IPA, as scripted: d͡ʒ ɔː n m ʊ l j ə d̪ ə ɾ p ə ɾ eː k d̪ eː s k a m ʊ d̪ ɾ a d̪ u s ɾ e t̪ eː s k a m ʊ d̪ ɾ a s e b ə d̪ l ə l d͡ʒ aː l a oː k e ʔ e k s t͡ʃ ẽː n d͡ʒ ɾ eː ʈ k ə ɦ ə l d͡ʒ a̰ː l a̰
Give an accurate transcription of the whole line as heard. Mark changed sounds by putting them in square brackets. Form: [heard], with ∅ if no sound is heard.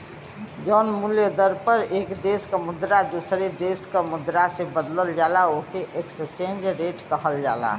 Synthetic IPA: d͡ʒ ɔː n m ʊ l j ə d̪ ə ɾ p ə ɾ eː k d̪ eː s k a m ʊ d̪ ɾ a d̪ u s ɾ e [d̪] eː s k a m ʊ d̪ ɾ a s e b ə d̪ l ə l d͡ʒ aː l a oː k e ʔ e k s t͡ʃ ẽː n d͡ʒ ɾ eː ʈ k ə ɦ ə l d͡ʒ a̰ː l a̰